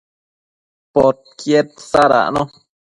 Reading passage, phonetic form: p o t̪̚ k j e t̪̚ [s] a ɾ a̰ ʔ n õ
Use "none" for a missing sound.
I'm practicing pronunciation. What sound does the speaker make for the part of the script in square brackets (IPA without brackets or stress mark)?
s